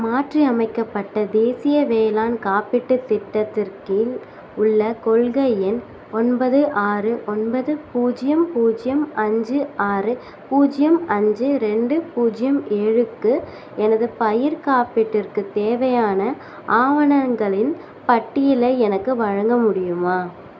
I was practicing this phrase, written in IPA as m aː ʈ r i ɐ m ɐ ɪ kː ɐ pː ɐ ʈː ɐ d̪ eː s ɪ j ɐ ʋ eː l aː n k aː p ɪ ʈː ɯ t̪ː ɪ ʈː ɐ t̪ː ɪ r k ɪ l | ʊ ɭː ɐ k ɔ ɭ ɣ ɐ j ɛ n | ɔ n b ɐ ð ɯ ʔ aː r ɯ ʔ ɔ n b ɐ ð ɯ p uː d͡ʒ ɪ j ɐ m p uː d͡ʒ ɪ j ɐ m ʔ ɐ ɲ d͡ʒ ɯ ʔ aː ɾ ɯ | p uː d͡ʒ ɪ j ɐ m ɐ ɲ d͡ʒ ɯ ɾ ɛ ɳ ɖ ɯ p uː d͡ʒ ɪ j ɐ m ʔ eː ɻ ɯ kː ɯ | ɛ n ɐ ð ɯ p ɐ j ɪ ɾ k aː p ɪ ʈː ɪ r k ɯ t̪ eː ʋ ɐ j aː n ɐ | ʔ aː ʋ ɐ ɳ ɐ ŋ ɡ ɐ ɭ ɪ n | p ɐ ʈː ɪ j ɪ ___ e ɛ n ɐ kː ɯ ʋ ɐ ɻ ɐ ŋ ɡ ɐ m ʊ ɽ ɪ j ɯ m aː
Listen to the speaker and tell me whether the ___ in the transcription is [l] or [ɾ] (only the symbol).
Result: l